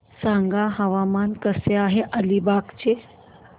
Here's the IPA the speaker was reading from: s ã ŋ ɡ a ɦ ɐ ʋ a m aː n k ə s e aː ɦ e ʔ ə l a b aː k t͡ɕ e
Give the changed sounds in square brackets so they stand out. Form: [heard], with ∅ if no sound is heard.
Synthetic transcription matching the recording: s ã ŋ ɡ a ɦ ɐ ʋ a m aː n k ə s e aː ɦ e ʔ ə l [i] b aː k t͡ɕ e